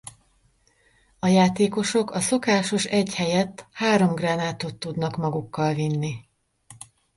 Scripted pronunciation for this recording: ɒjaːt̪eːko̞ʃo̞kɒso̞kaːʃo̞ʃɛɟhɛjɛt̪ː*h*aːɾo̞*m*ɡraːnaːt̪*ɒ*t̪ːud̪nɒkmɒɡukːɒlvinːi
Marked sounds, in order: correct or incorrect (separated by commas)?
correct, correct, incorrect